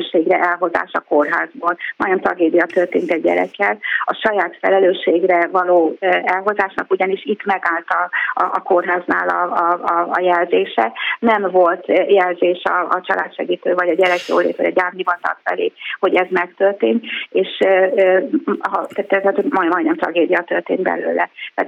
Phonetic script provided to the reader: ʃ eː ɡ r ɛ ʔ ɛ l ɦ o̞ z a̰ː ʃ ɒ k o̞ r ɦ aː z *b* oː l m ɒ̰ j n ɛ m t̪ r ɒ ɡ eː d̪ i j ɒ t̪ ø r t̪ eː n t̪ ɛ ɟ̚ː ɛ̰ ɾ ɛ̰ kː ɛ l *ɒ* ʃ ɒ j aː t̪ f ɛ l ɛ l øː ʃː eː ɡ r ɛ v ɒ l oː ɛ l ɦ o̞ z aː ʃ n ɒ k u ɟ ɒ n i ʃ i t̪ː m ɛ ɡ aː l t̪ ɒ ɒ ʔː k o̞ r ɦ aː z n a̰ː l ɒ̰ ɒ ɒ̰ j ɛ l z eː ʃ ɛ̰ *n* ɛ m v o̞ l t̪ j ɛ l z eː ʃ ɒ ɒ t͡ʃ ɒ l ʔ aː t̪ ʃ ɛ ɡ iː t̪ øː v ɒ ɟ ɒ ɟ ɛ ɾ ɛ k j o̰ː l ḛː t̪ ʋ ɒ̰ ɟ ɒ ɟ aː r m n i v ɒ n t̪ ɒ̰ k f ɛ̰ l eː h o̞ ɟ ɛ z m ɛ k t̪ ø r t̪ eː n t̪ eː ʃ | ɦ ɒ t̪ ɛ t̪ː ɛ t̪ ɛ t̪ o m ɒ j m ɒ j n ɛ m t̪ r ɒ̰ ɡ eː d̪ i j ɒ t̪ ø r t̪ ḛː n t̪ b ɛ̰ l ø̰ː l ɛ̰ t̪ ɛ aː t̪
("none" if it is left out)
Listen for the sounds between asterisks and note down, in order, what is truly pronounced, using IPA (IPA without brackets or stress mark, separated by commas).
b, ɒ, n